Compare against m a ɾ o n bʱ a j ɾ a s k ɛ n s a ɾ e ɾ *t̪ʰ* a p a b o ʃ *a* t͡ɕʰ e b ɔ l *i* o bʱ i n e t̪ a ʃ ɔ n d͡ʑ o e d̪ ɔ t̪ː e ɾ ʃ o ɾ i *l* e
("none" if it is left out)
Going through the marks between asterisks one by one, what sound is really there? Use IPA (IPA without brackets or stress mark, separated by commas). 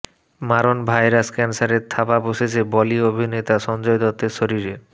t̪ʰ, e, i, ɾ